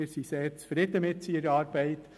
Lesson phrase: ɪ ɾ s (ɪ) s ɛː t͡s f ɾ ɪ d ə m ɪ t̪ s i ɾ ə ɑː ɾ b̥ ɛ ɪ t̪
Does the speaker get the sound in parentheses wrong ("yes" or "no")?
yes